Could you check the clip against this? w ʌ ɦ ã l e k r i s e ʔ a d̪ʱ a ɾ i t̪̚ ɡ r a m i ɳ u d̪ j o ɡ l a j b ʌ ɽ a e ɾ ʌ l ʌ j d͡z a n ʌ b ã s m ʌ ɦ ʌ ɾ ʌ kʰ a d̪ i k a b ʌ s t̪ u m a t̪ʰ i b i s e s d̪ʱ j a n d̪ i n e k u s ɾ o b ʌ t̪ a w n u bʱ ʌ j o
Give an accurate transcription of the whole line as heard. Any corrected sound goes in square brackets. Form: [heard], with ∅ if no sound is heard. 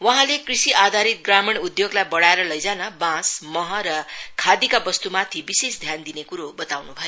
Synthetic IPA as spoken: w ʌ ɦ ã l e k r i s [i] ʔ a d̪ʱ a ɾ i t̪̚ ɡ r a m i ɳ u d̪ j o ɡ l a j b ʌ ɽ a e ɾ ʌ l ʌ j d͡z a n ʌ b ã s m ʌ ɦ ʌ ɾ ʌ kʰ a d̪ i k a b ʌ s t̪ u m a t̪ʰ i b i s e s d̪ʱ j a n d̪ i n e k u [∅] ɾ o b ʌ t̪ a w n u bʱ ʌ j o